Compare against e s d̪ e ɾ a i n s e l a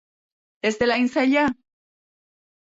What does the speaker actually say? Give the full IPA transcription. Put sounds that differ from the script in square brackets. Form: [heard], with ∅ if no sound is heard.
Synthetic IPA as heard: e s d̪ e [l] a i n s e [ʎ] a